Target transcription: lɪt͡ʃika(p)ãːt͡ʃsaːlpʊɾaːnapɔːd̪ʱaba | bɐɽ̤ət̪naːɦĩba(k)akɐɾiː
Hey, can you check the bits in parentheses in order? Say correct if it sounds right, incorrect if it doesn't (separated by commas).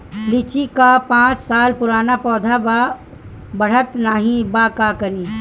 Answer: correct, correct